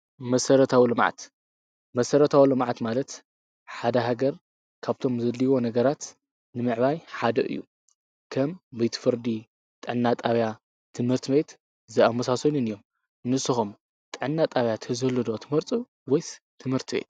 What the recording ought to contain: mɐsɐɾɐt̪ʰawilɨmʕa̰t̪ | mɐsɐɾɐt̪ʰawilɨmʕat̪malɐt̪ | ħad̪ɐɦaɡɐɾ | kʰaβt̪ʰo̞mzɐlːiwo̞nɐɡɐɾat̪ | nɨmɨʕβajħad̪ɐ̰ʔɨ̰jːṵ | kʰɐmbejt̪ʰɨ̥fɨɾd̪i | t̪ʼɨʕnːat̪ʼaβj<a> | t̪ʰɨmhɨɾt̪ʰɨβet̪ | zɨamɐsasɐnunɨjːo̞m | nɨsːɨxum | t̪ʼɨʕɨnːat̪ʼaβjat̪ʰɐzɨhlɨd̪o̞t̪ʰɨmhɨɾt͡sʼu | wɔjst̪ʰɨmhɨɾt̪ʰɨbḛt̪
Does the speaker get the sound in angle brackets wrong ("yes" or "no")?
no